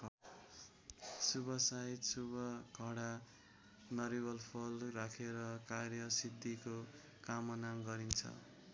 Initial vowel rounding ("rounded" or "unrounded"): rounded